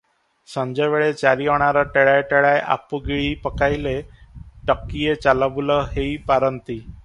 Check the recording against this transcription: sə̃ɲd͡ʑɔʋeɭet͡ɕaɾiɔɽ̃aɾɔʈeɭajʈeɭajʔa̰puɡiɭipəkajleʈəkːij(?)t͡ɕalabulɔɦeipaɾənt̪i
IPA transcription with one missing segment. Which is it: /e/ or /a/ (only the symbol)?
e